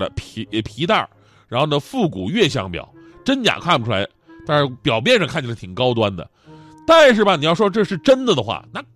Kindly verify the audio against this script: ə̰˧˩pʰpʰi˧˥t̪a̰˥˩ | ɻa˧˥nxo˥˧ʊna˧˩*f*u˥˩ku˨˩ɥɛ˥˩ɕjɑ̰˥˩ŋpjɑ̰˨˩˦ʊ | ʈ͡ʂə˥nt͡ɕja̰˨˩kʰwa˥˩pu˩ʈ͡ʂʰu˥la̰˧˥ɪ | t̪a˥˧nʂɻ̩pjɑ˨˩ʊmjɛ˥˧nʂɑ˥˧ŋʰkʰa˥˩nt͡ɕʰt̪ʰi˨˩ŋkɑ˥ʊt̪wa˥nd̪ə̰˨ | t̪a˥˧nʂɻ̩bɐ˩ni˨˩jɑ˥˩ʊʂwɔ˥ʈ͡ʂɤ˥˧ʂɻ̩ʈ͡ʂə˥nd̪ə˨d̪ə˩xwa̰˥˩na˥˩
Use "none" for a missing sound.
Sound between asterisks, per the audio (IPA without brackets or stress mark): f